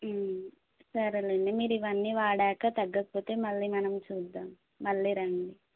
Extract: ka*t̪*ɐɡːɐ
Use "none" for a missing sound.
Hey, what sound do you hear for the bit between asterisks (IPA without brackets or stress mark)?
t̪